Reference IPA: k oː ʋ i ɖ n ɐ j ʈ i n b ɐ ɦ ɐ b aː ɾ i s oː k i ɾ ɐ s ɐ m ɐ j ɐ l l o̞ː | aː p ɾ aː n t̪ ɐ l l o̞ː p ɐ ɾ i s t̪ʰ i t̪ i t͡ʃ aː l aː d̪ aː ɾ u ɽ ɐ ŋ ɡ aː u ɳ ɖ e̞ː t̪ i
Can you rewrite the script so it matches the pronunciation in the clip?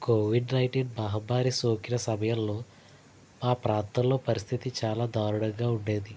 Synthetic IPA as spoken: k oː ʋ i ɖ n ɐ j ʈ i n b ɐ ɦ ɐ b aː ɾ i s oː k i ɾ ɐ s ɐ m ɐ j ɐ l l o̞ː | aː p ɾ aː n t̪ ɐ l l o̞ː p ɐ ɾ i s t̪ʰ i t̪ i t͡ʃ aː l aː d̪ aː ɾ u ɽ ɐ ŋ ɡ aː u ɳ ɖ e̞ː d̪ i